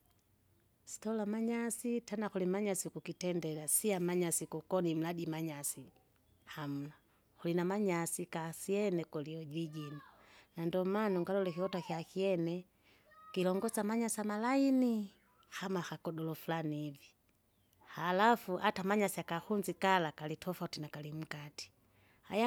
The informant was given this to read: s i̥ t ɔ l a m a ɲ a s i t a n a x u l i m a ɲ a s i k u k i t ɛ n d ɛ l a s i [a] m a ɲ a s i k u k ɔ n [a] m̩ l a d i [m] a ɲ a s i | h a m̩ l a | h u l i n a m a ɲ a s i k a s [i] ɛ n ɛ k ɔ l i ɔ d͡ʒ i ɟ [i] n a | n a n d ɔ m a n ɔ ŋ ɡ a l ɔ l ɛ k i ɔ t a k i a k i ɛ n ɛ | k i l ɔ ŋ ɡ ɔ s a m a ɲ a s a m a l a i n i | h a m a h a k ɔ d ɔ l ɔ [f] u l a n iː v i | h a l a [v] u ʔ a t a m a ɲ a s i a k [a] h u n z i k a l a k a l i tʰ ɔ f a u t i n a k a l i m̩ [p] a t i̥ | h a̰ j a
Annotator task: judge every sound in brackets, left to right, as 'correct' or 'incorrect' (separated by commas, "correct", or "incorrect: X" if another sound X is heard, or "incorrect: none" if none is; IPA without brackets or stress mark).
correct, incorrect: i, correct, correct, correct, correct, incorrect: f, correct, incorrect: k